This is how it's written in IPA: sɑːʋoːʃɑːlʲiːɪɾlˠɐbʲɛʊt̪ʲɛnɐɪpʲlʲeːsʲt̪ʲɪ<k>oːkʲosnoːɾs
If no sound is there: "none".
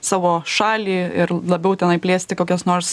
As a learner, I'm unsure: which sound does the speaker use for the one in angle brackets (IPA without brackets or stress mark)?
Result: k